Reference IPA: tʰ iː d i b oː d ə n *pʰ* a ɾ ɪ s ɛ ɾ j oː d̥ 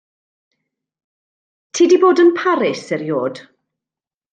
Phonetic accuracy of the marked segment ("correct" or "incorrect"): correct